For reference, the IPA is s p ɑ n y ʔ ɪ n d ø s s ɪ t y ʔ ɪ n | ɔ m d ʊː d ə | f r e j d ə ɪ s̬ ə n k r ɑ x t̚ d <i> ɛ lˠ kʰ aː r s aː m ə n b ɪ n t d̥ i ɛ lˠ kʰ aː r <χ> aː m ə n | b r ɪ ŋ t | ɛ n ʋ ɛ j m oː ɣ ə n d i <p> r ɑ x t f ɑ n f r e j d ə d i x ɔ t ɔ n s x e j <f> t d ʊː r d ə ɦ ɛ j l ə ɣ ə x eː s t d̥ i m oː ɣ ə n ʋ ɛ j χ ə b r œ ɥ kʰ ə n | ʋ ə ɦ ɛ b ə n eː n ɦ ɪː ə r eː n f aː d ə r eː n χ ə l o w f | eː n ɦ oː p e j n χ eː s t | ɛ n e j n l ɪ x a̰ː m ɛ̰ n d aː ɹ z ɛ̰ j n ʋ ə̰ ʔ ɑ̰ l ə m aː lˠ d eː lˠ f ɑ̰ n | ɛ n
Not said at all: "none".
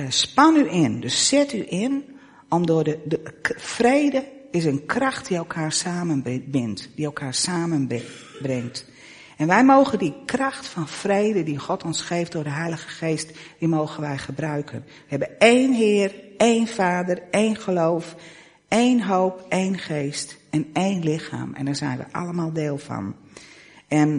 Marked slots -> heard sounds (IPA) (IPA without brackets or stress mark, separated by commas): i, s, k, f